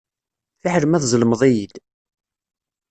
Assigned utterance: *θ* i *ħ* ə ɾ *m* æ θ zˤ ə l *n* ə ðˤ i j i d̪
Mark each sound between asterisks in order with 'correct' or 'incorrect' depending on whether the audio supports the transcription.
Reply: correct, correct, correct, incorrect: m

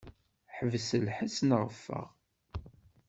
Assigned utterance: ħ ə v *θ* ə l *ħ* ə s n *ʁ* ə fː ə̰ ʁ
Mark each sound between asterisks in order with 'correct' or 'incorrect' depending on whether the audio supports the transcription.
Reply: incorrect: s, correct, correct

